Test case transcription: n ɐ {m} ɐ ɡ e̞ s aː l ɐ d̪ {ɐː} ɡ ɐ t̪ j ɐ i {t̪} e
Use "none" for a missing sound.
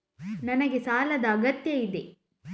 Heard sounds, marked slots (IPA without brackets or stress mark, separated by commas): n, ɐː, d̪